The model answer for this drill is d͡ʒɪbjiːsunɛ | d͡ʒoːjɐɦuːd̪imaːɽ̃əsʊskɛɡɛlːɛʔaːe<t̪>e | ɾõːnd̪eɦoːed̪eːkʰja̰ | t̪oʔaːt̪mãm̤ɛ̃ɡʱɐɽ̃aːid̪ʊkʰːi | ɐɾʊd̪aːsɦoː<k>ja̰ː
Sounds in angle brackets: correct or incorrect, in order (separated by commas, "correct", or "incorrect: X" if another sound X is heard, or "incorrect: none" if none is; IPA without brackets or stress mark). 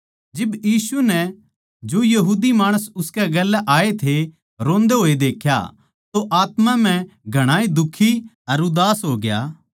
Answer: incorrect: t̪ʰ, incorrect: ɡ